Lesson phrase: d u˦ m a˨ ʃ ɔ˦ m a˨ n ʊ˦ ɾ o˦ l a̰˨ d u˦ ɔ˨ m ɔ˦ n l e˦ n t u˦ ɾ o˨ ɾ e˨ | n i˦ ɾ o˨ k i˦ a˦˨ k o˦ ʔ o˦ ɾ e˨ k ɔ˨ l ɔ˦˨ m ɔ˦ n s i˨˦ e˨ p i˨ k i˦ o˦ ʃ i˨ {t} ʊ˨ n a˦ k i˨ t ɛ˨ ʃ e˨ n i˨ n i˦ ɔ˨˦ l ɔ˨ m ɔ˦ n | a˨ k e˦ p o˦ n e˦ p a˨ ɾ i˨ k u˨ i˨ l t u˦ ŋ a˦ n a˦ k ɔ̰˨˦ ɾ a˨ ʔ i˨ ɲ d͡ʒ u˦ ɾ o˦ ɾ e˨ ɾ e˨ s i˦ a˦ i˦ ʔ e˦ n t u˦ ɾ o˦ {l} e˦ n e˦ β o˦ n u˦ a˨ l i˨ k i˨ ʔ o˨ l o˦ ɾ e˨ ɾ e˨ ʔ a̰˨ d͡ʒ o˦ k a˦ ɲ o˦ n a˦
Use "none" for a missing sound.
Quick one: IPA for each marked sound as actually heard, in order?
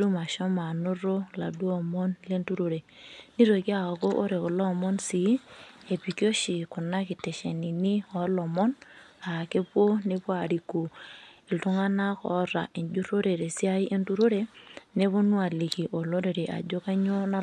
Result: k, ɾ

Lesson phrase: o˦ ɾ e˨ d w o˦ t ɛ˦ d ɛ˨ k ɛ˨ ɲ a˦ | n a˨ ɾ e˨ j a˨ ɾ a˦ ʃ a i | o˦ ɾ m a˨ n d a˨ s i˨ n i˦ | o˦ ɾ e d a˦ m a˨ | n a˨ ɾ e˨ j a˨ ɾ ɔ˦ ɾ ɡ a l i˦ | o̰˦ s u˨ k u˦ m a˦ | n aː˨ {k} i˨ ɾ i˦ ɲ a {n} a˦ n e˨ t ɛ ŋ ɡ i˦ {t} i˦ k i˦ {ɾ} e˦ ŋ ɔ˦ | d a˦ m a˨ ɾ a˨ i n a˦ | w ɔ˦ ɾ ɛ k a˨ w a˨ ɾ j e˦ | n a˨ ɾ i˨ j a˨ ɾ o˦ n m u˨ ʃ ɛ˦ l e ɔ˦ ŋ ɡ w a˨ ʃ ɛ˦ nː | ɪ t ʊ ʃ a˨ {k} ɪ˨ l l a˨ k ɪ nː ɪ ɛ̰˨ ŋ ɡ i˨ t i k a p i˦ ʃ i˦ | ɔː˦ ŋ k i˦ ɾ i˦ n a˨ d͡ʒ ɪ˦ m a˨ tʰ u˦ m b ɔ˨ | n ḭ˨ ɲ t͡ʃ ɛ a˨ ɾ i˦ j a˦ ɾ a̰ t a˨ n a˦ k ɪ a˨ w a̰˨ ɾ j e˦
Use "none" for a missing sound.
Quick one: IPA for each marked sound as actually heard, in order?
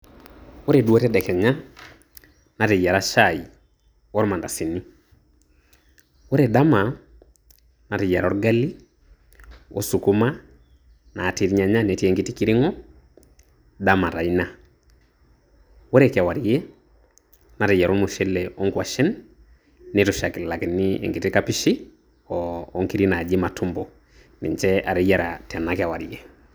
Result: t, ɲ, t, ɾ, k

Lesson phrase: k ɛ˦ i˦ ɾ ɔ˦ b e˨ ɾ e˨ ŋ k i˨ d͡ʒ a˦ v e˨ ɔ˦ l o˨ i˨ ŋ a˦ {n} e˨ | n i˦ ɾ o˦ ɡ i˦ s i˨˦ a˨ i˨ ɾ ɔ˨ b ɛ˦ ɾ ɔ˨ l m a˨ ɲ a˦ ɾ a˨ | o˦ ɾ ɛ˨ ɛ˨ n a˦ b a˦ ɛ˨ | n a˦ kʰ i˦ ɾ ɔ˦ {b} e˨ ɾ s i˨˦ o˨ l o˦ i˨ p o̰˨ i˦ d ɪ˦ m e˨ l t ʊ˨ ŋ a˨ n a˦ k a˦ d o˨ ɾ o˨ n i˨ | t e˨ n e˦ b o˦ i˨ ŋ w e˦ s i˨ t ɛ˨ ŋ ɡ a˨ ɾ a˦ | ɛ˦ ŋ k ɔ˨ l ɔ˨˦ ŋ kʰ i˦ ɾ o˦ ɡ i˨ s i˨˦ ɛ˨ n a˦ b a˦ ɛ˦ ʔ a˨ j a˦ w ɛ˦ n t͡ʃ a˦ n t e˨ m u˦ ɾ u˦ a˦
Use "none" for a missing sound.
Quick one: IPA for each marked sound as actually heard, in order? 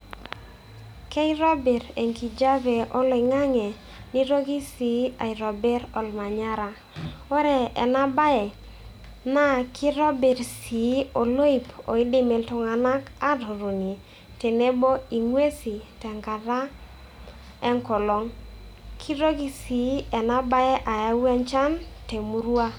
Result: ŋ, b

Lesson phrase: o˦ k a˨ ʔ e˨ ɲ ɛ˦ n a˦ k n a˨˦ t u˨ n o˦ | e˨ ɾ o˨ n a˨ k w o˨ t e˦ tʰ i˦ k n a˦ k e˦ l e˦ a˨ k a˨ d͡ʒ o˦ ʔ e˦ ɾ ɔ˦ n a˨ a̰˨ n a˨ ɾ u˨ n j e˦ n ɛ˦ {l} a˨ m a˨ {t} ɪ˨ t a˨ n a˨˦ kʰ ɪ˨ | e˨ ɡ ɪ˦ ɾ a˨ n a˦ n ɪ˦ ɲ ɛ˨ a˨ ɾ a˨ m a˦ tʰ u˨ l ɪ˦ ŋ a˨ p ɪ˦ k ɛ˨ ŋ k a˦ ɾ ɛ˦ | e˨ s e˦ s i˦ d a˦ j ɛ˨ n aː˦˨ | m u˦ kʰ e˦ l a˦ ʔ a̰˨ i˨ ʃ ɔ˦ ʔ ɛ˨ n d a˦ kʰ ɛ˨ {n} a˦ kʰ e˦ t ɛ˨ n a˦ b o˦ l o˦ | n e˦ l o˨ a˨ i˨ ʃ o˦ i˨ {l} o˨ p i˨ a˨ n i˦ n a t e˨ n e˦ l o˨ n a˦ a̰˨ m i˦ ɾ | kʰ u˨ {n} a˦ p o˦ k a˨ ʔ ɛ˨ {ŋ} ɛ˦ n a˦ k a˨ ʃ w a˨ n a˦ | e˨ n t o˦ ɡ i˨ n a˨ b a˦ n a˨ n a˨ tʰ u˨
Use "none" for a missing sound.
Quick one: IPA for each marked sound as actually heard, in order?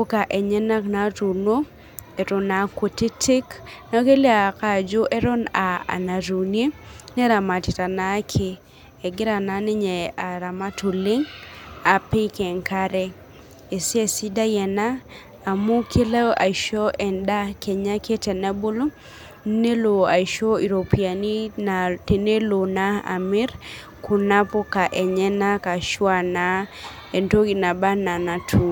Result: ɾ, t, ɲ, ɾ, n, ɲ

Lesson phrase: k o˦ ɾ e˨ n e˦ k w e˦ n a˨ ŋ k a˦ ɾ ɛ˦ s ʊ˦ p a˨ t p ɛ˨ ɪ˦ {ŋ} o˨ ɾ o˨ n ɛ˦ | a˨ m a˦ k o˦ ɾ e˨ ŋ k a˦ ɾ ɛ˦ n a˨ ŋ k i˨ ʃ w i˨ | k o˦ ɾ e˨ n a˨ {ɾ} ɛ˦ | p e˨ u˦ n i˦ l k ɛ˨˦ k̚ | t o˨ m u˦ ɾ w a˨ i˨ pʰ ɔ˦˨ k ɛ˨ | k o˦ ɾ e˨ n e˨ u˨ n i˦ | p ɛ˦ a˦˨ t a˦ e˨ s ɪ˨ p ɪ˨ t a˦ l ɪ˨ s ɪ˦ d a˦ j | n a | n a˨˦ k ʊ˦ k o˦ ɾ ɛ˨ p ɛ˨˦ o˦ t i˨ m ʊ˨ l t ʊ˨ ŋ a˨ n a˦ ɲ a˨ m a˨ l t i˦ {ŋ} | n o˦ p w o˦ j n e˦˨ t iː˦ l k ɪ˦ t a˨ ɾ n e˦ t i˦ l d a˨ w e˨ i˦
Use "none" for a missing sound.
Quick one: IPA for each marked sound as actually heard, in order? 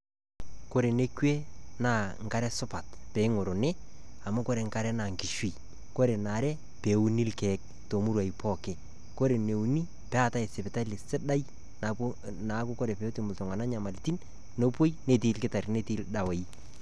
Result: ŋ, ɾ, n

